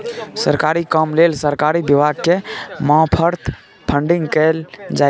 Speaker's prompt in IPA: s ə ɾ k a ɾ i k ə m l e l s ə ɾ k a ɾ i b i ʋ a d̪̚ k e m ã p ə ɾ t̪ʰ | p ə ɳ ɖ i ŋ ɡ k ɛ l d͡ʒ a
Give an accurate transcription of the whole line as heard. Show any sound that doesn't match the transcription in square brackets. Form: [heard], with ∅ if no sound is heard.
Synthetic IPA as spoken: s ə ɾ k a ɾ i k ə m l e l s ə ɾ k a ɾ i b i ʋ a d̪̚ k e m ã [pʰ] ə ɾ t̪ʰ | [pʰ] ə ɳ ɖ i ŋ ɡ k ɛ l d͡ʒ a